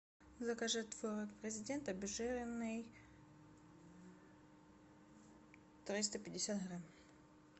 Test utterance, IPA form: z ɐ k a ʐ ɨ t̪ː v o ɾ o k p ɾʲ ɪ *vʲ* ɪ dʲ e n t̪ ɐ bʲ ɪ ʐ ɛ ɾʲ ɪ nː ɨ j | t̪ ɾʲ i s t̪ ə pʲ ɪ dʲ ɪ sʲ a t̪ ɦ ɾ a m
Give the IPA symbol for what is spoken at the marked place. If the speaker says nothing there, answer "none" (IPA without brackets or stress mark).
zʲ